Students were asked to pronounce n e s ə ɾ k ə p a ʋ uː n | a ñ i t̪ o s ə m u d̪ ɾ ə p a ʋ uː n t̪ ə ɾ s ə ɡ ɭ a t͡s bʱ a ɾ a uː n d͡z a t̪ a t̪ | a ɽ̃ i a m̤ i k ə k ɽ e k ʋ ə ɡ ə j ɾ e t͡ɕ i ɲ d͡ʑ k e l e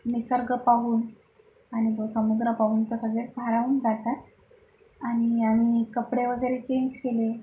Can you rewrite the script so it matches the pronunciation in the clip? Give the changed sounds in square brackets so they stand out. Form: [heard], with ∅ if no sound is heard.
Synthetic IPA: n [i] s ə ɾ [ɡ] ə p a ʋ uː n | a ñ i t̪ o s ə m u d̪ ɾ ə p a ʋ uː n t̪ ə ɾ s ə ɡ ɭ [e] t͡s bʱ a ɾ a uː n d͡z a t̪ a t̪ | a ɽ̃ i a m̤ i k ə [p] ɽ e [∅] ʋ ə ɡ ə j ɾ e t͡ɕ [e] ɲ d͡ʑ k e l e